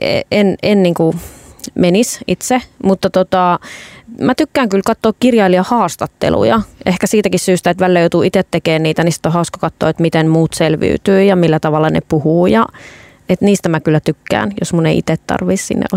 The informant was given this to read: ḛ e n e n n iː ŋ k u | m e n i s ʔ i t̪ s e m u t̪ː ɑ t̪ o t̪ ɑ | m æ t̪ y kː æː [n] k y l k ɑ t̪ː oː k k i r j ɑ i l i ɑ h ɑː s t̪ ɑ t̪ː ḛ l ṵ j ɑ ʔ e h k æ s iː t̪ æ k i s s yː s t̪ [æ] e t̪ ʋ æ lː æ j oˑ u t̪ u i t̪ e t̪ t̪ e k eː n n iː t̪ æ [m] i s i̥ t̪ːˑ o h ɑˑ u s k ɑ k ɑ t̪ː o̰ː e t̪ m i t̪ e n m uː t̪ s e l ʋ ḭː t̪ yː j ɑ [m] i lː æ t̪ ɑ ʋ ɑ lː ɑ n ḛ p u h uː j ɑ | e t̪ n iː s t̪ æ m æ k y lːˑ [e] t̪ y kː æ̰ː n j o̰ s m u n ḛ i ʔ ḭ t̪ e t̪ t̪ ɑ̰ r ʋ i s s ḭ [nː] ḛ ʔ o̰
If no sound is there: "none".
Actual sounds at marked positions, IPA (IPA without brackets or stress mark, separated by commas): ŋ, æ, n, m, æ, nː